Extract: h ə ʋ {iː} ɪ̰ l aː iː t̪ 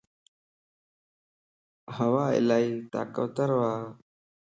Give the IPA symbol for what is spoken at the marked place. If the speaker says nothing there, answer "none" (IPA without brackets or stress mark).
aː